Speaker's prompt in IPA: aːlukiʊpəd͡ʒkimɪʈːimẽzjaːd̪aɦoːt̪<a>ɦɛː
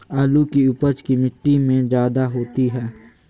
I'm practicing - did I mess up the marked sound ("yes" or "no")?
yes